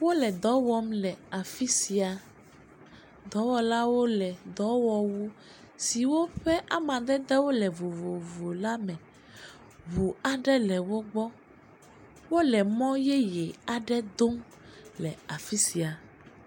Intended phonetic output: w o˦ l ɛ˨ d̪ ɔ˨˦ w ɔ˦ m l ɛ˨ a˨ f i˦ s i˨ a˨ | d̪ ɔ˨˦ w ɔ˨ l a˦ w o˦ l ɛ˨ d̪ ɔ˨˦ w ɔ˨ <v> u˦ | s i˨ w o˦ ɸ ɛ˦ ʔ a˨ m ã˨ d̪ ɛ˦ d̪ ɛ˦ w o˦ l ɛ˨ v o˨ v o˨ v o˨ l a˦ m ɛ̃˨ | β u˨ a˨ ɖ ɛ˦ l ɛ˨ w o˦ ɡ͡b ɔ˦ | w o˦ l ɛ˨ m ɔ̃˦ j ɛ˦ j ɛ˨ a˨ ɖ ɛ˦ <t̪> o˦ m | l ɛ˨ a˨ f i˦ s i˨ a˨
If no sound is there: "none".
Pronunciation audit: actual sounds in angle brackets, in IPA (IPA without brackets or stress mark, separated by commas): w, d̪